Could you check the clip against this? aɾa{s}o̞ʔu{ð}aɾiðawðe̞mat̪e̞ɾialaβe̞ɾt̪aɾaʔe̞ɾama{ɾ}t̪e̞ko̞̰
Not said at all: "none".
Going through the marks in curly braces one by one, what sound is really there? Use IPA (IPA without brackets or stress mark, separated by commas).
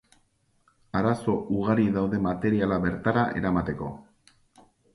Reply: s, ɣ, none